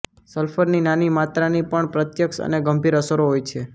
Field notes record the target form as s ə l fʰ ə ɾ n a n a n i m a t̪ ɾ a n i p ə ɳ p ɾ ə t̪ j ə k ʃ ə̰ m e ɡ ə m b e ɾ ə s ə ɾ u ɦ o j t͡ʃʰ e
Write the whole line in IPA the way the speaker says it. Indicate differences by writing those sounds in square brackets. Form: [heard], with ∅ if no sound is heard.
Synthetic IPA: s ə l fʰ ə ɾ n [i] n a n i m a t̪ ɾ a n i p ə ɳ p ɾ ə t̪ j ə k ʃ ə̰ [n] e ɡ ə m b [i] ɾ ə s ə ɾ [o] ɦ o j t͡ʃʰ e

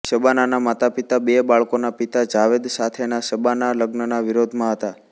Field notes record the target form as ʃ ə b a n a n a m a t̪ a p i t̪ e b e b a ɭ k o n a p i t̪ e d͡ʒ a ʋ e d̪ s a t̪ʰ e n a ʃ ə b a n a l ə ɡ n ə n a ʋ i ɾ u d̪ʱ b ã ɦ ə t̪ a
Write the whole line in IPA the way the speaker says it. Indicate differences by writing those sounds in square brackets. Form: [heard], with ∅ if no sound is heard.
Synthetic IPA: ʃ ə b a n a n a m a t̪ a p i t̪ [a] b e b a ɭ k o n a p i t̪ [a] d͡ʒ a ʋ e d̪ s a t̪ʰ e n a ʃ ə b a n a l ə ɡ n ə n a ʋ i ɾ [o] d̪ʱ [m] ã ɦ ə t̪ a

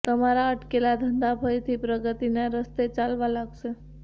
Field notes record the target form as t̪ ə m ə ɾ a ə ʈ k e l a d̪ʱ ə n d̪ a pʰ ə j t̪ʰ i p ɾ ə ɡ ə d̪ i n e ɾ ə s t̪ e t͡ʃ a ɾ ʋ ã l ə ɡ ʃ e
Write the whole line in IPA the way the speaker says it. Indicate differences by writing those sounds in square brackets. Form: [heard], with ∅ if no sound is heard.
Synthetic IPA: t̪ ə m [a] ɾ a ə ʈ k e l a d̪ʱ ə n d̪ a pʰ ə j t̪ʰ i p ɾ ə ɡ ə [t̪] i n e ɾ ə s t̪ e t͡ʃ a [l] ʋ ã l [a] ɡ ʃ e

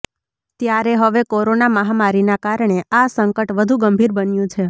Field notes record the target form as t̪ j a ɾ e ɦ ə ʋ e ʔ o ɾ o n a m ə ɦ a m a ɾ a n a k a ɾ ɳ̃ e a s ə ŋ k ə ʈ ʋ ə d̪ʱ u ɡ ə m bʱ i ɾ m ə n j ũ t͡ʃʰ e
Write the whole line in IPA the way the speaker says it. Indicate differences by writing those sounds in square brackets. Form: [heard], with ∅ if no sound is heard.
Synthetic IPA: t̪ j a ɾ e ɦ ə ʋ e [k] o ɾ o n a m ə ɦ a m a ɾ [i] n a k a ɾ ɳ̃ e a s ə ŋ k ə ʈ ʋ ə d̪ʱ u ɡ ə m bʱ i ɾ [b] ə n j ũ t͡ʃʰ e

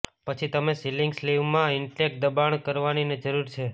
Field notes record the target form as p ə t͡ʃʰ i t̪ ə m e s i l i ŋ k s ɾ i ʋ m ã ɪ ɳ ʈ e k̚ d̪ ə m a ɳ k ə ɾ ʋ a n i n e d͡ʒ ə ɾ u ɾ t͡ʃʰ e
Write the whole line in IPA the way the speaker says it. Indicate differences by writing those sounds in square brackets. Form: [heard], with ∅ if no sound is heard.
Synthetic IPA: p ə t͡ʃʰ i t̪ ə m e s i l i ŋ [ɡ] s [l] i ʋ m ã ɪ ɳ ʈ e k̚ d̪ ə [b] a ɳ k ə ɾ ʋ a n i n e d͡ʒ ə ɾ u ɾ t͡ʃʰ e

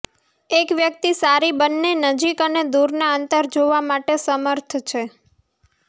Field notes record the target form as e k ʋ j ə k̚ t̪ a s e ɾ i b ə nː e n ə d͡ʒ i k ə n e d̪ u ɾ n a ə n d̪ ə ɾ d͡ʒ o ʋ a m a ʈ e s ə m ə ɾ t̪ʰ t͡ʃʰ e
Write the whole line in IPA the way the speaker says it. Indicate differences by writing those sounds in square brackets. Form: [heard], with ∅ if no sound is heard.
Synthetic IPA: e k ʋ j ə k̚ t̪ [i] s [a] ɾ i b ə nː e n ə d͡ʒ i k ə n e d̪ u ɾ n a ə n [t̪] ə ɾ d͡ʒ o ʋ a m a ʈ e s ə m ə ɾ t̪ʰ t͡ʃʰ e

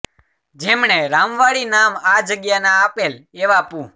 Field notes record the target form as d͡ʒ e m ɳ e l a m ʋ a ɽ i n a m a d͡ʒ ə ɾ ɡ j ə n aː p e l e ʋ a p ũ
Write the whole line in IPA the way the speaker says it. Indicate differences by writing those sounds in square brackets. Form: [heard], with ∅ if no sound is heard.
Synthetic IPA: d͡ʒ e m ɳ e [ɾ] a m ʋ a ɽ i n a m a d͡ʒ ə [∅] ɡ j [a] n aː p e l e ʋ a p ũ

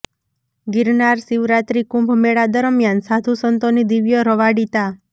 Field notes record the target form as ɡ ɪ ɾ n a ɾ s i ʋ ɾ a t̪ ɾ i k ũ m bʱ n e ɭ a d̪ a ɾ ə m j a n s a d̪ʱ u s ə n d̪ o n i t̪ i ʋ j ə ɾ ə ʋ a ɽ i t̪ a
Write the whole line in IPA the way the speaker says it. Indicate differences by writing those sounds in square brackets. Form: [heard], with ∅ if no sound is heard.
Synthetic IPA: ɡ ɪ ɾ n a ɾ s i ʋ ɾ a t̪ ɾ i k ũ m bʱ [m] e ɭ a d̪ [ə] ɾ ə m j a n s a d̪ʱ u s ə n [t̪] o n i [d̪] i ʋ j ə ɾ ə ʋ a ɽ i t̪ a

